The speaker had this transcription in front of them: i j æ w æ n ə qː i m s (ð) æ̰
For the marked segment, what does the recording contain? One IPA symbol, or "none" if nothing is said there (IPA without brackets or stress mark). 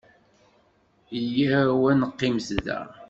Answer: ð